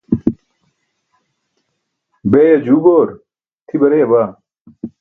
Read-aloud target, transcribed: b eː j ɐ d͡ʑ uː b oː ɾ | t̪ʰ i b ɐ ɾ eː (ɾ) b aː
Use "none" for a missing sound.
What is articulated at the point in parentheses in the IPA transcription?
none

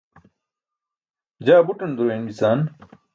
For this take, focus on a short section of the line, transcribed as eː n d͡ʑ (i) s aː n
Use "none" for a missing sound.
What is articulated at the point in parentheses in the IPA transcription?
i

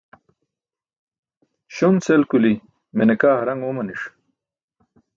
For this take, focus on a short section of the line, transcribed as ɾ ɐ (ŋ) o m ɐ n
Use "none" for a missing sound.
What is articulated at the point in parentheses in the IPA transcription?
ŋ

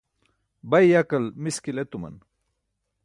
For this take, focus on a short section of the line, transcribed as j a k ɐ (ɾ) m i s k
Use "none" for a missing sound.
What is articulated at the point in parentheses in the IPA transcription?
l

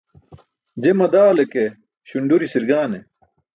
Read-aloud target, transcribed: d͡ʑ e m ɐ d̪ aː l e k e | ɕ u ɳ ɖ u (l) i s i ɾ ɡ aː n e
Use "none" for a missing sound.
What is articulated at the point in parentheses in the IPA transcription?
ɾ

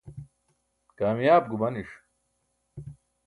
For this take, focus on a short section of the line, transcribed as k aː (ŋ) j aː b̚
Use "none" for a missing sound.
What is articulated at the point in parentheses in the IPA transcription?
m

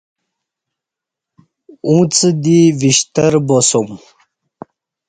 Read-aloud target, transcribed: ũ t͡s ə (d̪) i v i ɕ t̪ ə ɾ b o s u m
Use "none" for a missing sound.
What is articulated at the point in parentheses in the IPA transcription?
d̪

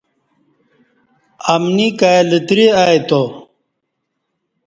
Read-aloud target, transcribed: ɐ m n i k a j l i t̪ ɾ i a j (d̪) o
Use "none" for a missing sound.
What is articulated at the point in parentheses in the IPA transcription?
t̪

